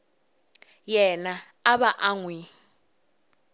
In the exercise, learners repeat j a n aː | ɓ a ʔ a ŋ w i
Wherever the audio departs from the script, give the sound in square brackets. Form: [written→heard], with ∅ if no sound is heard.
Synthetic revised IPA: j [a→ɛ] n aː | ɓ a ʔ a ŋ w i